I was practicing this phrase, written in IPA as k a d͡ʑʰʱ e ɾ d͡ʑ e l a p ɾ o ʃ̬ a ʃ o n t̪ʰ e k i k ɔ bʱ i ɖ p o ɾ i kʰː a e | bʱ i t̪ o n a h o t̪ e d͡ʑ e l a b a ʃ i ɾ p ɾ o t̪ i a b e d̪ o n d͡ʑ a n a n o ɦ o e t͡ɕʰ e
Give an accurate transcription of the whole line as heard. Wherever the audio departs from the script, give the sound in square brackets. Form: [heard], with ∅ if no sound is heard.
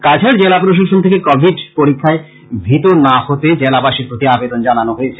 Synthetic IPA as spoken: k a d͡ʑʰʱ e ɾ d͡ʑ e l a p ɾ o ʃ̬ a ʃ o n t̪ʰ e k [e] k ɔ bʱ i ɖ p o ɾ i kʰː a e | bʱ i t̪ o n a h o t̪ e d͡ʑ e l a b a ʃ i ɾ p ɾ o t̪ i a b e d̪ o n d͡ʑ a n a n o ɦ o e t͡ɕʰ e